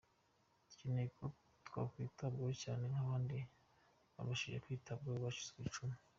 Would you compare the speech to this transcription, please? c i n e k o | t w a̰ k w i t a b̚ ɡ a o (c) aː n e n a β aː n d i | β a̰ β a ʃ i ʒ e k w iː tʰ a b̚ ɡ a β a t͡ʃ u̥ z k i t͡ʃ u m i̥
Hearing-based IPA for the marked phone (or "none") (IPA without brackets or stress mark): c